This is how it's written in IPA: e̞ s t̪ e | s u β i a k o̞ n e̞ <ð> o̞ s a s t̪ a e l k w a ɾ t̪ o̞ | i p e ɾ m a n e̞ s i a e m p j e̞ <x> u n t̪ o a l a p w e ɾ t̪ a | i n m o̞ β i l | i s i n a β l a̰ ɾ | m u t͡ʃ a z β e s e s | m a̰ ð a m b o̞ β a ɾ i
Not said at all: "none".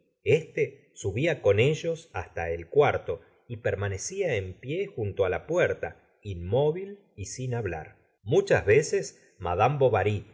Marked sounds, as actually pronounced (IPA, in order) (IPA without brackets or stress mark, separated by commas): ʒ, x